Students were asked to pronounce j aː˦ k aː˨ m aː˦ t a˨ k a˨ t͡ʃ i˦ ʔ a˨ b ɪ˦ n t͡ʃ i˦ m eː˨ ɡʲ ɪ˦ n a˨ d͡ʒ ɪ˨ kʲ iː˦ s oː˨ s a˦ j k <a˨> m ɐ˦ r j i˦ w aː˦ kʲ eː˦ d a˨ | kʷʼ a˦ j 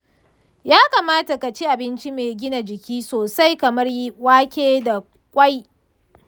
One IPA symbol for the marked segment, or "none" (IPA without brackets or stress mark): ɐ˨